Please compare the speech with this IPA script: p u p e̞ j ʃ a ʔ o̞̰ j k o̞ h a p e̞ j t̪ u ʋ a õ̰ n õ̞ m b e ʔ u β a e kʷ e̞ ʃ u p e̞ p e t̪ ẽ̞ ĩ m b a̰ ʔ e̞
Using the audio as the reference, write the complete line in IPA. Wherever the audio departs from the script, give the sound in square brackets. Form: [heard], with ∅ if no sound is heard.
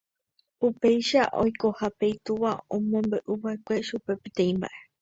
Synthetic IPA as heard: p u p e̞ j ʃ a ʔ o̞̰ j k o̞ h a p e̞ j t̪ u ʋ a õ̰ [m] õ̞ m b e ʔ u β a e kʷ e̞ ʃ u p e̞ p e t̪ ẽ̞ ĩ m b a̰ ʔ e̞